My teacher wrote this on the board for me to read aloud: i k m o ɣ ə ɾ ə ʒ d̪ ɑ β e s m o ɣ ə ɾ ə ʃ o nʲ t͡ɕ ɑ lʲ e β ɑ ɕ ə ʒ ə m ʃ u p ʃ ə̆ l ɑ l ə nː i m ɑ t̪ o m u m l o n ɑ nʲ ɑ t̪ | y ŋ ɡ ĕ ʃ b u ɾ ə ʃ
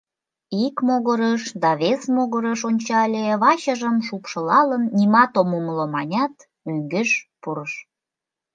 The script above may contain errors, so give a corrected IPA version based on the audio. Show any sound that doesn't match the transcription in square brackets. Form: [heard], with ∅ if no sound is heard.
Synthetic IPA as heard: i k m o ɣ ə ɾ ə [ʃ] d̪ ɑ β e s m o ɣ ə ɾ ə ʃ o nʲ t͡ɕ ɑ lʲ e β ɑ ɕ ə ʒ ə m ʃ u p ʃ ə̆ l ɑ l ə nː i m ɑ t̪ o m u m l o [m] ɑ nʲ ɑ t̪ | y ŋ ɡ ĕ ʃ [p] u ɾ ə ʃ